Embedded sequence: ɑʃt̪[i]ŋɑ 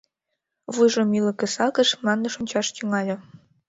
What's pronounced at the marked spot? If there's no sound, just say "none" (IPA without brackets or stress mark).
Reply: y